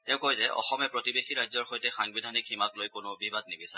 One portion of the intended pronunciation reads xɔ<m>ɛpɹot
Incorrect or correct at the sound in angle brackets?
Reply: correct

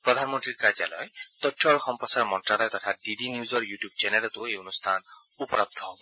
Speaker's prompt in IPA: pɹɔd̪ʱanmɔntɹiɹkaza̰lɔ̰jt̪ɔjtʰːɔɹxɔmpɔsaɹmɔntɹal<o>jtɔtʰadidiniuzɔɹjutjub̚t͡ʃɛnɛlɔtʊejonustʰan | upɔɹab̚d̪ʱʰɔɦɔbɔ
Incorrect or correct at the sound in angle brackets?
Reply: incorrect: ɔ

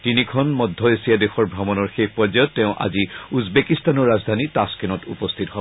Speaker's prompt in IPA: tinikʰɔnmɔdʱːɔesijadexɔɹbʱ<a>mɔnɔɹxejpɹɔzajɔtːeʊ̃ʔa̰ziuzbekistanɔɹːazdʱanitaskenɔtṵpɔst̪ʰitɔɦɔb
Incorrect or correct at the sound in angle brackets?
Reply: correct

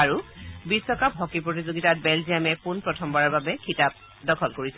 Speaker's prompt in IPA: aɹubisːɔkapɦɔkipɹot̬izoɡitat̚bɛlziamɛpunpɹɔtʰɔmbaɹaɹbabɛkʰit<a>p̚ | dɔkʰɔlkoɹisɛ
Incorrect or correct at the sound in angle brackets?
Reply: correct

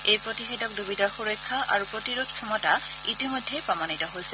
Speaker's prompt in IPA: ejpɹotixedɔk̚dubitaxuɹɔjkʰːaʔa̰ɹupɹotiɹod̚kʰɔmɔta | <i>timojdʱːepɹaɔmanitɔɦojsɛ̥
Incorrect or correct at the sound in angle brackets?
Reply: correct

